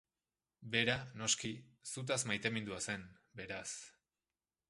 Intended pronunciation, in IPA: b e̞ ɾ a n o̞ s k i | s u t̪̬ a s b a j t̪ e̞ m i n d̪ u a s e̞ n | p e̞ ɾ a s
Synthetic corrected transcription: b e̞ ɾ a n o̞ s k i | s u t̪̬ a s m a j t̪ e̞ m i n d̪ u a s e̞ n | b e̞ ɾ a s